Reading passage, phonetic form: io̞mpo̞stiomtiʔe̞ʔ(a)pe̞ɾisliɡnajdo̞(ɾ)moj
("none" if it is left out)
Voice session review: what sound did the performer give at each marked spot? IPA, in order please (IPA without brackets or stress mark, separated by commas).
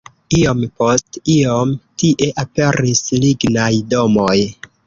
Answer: a, none